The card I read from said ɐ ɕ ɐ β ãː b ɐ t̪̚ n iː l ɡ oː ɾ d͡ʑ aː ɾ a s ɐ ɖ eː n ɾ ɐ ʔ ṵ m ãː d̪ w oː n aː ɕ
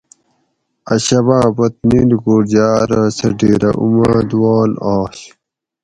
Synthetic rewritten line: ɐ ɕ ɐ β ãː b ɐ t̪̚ n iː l ɡ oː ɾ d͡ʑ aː ɾ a s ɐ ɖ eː ɾ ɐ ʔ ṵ m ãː d̪ w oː n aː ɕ